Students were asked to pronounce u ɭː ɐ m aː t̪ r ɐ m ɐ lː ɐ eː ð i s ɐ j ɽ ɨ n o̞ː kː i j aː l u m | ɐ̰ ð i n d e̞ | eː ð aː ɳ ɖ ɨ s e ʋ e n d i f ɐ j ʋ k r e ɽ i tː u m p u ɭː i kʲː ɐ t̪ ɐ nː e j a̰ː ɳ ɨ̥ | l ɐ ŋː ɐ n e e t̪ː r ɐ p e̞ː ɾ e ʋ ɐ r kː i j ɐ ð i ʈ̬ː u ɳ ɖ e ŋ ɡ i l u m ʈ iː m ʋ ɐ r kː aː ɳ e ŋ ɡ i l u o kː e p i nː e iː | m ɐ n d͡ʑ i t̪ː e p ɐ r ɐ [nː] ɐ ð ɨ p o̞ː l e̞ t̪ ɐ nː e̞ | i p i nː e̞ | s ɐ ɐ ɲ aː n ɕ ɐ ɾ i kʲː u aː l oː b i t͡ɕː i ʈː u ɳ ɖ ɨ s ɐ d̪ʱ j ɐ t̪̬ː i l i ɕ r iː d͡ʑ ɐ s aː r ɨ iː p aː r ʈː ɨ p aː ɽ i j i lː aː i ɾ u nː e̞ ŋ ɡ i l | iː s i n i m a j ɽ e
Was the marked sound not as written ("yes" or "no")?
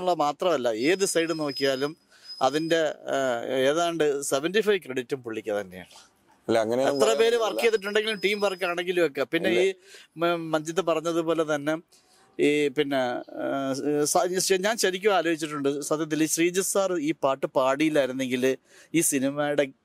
yes